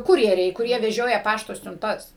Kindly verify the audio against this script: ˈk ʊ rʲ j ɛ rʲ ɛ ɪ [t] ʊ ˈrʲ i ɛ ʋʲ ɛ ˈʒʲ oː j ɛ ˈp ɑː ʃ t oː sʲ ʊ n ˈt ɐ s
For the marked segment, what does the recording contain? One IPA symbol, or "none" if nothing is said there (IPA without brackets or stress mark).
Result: k